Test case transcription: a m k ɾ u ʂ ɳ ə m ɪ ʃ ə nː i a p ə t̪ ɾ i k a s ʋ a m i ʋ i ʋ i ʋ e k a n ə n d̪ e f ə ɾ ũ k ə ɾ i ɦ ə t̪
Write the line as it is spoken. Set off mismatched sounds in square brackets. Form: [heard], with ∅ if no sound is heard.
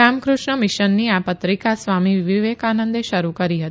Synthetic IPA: a m k ɾ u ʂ ɳ ə m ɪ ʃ ə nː i a p ə t̪ ɾ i k a s ʋ a m i ʋ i ʋ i ʋ e k a n ə n d̪ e [ʃ] ə ɾ [u] k ə ɾ i ɦ ə t̪